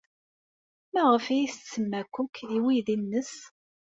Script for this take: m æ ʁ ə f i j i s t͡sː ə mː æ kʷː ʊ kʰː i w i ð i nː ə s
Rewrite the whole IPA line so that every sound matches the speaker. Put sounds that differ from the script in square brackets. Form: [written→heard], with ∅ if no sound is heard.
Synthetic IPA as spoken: m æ ʁ ə f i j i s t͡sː ə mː æ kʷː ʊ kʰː i w i ð i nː ə s